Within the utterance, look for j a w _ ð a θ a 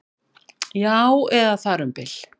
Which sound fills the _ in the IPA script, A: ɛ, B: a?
A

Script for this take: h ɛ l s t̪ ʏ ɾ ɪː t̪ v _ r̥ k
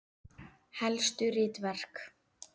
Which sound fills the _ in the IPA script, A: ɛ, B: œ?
A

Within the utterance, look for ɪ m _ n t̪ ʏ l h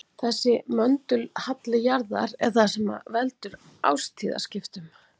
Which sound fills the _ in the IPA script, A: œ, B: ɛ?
A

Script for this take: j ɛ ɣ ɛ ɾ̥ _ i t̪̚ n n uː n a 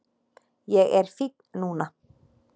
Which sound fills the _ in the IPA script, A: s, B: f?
B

